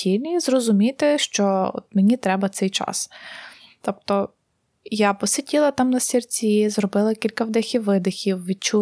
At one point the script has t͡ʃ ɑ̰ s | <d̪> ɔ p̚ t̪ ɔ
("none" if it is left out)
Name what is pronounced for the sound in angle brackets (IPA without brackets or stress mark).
t̪